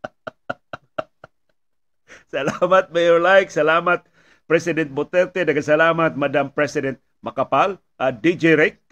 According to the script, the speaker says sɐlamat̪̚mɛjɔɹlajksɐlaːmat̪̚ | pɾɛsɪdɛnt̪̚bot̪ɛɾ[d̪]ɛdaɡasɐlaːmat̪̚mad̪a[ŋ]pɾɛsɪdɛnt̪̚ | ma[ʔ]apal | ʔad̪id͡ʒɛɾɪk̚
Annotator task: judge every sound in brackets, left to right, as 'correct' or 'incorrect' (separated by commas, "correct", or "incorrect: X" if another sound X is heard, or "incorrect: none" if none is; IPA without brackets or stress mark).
incorrect: t̪, incorrect: m, incorrect: k